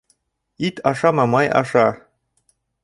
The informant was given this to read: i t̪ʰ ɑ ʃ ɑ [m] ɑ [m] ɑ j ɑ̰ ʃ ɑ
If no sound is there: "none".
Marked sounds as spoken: m, m

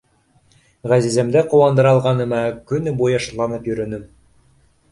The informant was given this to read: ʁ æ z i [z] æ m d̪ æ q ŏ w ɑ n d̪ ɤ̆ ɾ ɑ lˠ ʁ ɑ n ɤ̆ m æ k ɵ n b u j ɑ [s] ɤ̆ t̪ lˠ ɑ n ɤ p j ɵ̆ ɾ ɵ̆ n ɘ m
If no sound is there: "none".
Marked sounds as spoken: z, ʃ

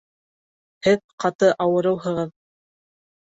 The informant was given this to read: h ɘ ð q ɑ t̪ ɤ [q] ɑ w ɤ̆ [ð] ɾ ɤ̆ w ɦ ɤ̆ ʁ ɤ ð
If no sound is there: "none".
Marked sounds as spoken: ʔ, none

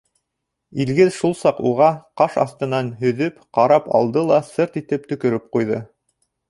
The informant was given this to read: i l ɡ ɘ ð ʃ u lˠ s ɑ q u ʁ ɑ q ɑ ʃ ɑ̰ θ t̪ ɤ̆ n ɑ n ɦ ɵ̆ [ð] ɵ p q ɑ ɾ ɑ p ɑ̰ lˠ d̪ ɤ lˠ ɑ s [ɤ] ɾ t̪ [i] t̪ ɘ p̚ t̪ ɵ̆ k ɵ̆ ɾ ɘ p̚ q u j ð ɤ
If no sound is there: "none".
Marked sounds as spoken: ð, ɤ, i

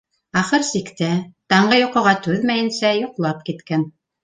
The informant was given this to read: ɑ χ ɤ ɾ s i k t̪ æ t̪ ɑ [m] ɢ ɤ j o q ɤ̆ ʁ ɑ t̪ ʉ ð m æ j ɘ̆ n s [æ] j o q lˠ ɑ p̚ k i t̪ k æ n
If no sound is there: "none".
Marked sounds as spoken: ɴ, æ

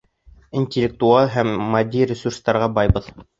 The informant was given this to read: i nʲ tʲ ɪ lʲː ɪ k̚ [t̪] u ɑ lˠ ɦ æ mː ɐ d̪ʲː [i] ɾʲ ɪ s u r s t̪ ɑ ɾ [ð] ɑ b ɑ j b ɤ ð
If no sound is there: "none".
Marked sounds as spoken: t̪, i, ʁ

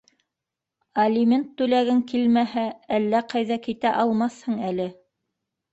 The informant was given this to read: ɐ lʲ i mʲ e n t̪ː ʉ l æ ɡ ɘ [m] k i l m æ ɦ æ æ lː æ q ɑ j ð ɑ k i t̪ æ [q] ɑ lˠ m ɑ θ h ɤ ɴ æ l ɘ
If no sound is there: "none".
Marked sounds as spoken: ŋ, ʔ

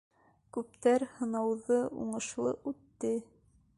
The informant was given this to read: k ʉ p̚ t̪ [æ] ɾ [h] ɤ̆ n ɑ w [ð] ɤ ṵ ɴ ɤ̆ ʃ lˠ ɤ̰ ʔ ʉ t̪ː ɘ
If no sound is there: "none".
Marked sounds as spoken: æ, h, ð

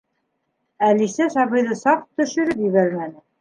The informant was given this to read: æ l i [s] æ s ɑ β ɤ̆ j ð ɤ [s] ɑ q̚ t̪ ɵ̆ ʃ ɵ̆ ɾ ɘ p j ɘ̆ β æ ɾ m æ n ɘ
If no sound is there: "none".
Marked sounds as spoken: s, s

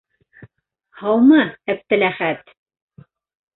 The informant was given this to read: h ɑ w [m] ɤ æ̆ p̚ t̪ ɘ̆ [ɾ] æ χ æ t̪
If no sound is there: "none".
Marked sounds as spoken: m, l

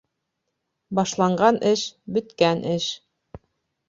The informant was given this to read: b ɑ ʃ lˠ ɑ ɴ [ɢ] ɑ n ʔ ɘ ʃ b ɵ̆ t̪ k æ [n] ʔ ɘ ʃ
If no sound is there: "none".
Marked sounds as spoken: ɢ, n

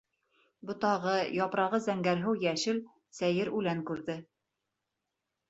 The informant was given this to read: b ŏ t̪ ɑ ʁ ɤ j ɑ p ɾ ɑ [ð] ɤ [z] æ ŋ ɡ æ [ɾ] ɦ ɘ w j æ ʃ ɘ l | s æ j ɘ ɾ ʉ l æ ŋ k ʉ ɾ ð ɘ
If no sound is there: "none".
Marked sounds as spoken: ʁ, z, ɾ

